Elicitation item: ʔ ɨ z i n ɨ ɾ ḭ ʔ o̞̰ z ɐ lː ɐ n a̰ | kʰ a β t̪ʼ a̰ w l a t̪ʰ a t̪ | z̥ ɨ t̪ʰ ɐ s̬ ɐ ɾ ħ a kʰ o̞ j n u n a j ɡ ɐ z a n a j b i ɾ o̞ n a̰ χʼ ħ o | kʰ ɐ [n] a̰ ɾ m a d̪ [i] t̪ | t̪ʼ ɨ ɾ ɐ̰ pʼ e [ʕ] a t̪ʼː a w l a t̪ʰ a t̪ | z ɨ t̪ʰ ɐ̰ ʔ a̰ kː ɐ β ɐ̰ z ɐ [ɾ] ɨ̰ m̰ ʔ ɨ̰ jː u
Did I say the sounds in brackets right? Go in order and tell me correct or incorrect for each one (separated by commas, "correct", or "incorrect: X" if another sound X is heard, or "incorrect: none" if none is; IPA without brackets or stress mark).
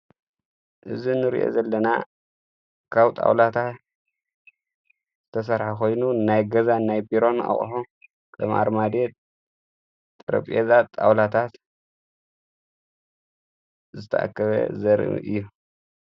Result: incorrect: m, incorrect: e, incorrect: z, correct